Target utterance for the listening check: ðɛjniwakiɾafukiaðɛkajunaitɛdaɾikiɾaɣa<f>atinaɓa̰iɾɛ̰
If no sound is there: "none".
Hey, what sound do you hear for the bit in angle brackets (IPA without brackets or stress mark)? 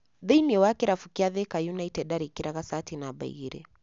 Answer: s